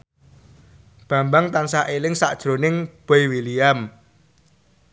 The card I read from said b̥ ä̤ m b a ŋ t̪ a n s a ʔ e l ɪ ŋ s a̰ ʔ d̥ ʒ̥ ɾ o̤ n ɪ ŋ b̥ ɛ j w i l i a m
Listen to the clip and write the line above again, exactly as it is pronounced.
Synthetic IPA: b̥ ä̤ m b a ŋ t̪ a n s a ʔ e l ɪ ŋ s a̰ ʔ d̥ ʒ̥ ɾ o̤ n ɪ ŋ b̥ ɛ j w i l i a m

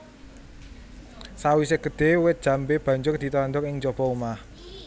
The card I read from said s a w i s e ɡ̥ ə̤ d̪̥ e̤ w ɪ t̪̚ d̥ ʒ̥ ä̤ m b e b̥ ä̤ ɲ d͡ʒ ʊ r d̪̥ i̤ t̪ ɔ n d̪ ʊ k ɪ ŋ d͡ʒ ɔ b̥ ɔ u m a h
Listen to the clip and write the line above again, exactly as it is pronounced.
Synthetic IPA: s a w i s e ɡ̥ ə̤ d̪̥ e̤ w ɪ t̪̚ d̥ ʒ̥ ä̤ m b e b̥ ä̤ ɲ d͡ʒ ʊ r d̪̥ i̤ t̪ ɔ n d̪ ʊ k ɪ ŋ d͡ʒ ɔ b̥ ɔ u m a h

